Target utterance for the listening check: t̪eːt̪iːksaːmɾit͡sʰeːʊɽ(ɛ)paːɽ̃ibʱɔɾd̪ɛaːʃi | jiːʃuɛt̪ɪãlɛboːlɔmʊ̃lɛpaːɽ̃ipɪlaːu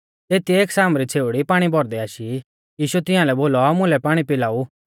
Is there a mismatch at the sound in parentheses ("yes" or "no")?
yes